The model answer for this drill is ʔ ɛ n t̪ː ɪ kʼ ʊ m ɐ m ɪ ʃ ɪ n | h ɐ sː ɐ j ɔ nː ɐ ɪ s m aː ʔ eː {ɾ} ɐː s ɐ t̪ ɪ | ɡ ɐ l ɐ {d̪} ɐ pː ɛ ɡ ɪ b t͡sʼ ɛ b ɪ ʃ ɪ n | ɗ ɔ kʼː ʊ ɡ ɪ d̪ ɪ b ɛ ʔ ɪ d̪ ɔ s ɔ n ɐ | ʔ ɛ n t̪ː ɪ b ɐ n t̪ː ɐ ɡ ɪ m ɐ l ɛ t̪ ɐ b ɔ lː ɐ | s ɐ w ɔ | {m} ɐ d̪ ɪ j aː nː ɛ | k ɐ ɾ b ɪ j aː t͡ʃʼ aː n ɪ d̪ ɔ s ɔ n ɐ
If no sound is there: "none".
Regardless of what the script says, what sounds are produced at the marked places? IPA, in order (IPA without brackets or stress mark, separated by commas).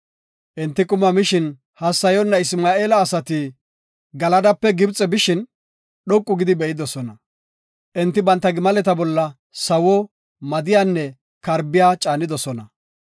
l, d̪, m